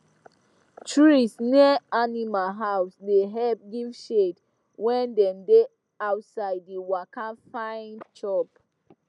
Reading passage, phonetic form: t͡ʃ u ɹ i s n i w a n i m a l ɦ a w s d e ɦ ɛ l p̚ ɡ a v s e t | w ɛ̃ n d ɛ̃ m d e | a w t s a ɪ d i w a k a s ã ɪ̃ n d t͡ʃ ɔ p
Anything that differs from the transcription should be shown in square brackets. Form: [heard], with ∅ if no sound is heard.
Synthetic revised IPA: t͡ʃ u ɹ i s n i [∅] a n i m a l ɦ a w s d e ɦ ɛ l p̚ ɡ [i] v [ʃ] e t | w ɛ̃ n d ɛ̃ m d e | a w t s a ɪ d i w a k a [f] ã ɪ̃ n d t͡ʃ ɔ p